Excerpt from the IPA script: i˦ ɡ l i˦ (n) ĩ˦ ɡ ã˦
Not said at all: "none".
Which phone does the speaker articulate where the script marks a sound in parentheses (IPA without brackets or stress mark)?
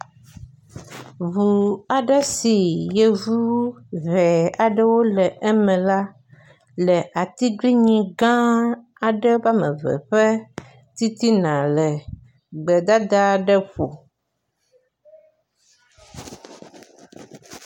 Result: ɲ